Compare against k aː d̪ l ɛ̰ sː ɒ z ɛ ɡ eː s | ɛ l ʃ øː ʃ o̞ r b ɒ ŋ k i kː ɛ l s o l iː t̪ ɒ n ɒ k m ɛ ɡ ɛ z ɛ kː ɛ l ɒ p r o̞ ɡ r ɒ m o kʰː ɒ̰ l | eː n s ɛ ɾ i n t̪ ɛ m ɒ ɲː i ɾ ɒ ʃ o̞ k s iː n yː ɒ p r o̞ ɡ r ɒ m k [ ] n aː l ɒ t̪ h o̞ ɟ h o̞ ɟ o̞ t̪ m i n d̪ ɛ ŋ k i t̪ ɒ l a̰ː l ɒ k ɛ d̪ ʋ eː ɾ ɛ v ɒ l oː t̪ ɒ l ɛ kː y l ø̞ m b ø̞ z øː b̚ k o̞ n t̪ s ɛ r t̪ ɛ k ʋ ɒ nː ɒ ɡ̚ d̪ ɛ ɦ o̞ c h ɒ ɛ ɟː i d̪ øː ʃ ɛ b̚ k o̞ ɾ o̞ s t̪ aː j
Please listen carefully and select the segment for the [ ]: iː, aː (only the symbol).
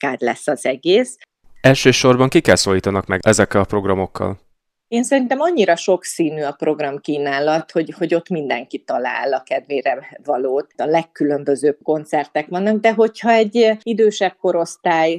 iː